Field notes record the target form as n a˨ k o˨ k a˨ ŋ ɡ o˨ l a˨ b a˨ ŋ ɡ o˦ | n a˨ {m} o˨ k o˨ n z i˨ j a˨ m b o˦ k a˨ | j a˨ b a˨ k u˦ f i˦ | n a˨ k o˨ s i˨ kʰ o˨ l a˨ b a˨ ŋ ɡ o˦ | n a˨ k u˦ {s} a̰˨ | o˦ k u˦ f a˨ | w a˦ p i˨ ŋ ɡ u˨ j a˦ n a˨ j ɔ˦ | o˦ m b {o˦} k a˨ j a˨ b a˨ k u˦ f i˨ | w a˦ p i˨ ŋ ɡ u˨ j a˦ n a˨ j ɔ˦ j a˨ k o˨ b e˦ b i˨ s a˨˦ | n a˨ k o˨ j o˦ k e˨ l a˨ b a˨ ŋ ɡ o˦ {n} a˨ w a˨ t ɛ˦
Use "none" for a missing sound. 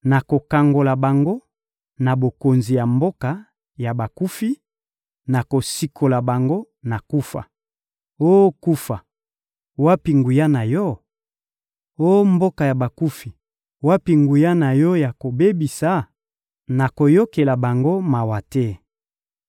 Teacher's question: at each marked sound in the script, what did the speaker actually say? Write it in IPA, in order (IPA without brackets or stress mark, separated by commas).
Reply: b, f, o˦, m